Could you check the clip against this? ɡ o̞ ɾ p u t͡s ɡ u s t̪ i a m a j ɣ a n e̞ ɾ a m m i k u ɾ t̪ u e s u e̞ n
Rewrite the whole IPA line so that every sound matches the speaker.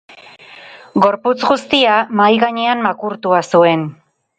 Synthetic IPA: ɡ o̞ ɾ p u t͡s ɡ u s t̪ i a m a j ɣ a ɲ e̞ a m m a k u ɾ t̪ u a s u e̞ n